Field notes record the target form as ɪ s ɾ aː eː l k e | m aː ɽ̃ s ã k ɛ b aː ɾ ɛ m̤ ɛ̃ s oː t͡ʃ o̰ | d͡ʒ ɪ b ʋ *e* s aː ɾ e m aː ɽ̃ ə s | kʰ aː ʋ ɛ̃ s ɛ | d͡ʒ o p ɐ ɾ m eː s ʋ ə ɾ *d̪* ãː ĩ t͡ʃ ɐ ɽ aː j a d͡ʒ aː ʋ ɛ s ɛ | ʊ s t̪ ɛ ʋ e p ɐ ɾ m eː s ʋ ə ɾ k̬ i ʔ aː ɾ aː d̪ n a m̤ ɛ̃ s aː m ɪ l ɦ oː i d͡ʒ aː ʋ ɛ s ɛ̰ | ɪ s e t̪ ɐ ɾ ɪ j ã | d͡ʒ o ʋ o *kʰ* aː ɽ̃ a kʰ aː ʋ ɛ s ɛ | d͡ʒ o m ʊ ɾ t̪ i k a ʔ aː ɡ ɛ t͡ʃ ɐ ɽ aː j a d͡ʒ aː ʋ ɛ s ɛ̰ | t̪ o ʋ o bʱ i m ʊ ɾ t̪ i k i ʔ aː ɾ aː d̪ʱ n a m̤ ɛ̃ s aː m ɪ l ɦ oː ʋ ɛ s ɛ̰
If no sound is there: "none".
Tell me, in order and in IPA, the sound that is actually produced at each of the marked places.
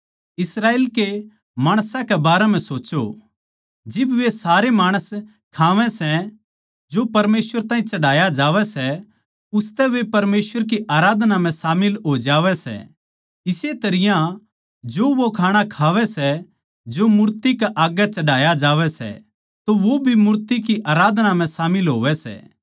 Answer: e, t̪, kʰ

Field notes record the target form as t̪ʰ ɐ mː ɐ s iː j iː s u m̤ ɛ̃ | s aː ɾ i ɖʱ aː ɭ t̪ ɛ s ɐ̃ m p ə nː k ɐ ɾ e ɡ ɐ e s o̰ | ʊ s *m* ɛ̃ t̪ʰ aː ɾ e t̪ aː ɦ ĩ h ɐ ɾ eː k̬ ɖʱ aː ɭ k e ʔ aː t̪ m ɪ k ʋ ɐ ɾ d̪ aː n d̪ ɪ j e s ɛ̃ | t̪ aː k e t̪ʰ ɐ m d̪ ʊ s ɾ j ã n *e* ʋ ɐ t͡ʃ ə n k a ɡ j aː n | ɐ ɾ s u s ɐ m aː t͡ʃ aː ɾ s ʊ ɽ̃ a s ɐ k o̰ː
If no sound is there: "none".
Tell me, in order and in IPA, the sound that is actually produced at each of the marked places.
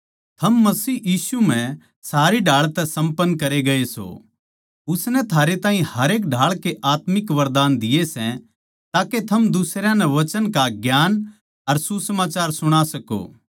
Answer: n, ɛ

